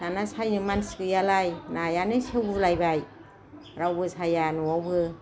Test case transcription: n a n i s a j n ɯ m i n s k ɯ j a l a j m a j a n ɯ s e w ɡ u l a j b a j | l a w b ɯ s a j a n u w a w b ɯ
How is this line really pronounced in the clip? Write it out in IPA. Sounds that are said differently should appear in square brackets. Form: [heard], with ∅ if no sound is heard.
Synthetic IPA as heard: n a n [a] s a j n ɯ m [a] n s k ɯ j a l a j [n] a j a n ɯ s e w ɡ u l a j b a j | [ɾ] a w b ɯ s a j a n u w a w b ɯ